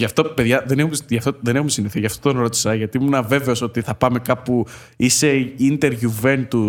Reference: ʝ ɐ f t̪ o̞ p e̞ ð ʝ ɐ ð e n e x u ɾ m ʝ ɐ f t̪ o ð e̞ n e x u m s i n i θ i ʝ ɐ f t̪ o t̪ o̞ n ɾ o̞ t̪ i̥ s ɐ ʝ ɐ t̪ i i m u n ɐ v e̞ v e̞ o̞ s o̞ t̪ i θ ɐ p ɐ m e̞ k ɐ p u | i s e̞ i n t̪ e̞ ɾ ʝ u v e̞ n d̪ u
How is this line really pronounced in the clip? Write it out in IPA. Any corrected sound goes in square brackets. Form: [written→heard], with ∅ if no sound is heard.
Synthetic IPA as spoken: ʝ ɐ f t̪ o̞ p e̞ ð ʝ ɐ ð e n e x u [ɾ→∅] m ʝ ɐ f t̪ o ð e̞ n e x u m s i n i θ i ʝ ɐ f t̪ o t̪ o̞ n ɾ o̞ t̪ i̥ s ɐ ʝ ɐ t̪ i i m u n ɐ v e̞ v e̞ o̞ s o̞ t̪ i θ ɐ p ɐ m e̞ k ɐ p u | i s e̞ i n t̪ e̞ ɾ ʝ u v e̞ n [d̪→t̪] u